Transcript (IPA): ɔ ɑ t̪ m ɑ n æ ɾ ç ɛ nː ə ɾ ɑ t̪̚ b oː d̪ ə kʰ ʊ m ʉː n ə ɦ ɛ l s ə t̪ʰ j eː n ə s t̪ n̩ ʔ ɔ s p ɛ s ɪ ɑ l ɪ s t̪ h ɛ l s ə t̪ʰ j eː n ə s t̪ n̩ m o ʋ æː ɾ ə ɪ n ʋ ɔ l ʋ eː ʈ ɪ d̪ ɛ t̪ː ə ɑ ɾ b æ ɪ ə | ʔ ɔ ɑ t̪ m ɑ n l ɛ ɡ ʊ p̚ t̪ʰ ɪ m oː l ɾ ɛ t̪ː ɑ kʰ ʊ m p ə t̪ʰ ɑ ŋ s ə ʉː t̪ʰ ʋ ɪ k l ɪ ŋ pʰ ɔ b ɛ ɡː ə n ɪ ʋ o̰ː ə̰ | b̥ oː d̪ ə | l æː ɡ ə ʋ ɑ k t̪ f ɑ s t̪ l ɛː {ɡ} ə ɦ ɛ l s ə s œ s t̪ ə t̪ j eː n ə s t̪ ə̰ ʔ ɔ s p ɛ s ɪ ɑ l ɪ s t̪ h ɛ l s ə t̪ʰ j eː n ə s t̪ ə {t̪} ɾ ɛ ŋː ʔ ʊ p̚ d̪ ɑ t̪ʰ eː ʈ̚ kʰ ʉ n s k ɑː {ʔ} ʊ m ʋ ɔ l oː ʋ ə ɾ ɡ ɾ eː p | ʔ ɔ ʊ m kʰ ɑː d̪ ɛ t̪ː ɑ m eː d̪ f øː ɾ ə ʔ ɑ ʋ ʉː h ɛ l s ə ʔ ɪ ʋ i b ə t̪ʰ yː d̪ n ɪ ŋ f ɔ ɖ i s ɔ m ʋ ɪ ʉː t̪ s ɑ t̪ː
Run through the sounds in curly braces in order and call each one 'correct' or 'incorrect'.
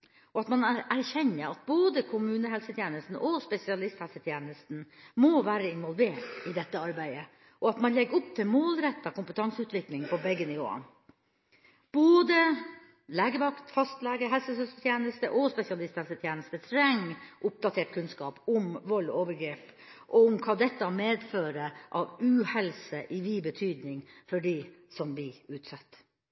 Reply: correct, incorrect: t̪ʰ, incorrect: p

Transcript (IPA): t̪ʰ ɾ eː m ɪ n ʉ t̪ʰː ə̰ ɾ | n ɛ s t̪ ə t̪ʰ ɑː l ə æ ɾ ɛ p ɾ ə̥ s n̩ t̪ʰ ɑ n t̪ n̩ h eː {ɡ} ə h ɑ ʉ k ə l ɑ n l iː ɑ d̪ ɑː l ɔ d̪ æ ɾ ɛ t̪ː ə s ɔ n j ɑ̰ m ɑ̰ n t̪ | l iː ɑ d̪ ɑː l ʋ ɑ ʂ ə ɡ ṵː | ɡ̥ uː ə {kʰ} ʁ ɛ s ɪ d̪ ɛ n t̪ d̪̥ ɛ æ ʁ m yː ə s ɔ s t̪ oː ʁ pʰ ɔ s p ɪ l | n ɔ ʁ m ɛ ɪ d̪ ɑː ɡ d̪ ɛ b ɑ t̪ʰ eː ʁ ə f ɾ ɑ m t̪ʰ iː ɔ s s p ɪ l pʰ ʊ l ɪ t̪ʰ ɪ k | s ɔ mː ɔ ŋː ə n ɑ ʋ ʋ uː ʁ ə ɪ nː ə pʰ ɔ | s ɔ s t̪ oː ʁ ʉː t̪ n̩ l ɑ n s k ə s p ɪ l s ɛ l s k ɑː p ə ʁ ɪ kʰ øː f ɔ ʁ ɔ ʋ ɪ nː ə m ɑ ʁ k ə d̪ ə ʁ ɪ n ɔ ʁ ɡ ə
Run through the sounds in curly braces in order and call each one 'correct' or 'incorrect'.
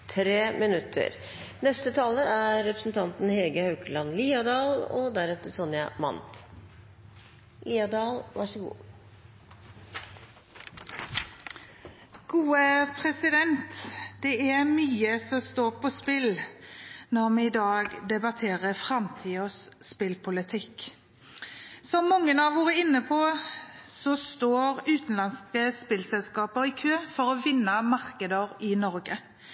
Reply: correct, incorrect: pʰ

